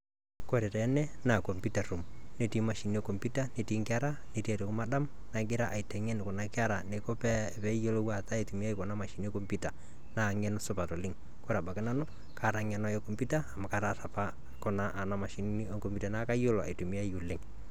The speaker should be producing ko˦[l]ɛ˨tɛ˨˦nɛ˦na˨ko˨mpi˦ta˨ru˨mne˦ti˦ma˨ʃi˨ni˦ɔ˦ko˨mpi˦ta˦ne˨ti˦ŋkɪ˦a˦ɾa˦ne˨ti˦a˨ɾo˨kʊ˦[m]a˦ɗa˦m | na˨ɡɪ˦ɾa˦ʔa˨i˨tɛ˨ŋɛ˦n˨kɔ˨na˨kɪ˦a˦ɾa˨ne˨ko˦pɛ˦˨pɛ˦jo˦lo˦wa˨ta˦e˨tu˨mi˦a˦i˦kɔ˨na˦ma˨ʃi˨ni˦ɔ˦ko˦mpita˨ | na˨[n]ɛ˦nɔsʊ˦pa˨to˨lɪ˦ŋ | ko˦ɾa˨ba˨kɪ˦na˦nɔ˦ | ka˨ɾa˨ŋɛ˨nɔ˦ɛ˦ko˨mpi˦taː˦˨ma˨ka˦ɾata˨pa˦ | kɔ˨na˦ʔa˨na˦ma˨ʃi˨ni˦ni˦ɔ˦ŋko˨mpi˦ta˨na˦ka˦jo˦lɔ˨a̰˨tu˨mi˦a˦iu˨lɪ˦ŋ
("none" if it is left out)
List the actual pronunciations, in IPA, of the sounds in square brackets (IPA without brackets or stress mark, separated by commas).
ɾ, m, ŋ